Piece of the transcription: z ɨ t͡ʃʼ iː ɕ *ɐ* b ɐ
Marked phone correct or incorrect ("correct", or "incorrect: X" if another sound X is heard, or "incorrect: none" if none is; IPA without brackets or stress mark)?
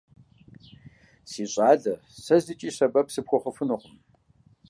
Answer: correct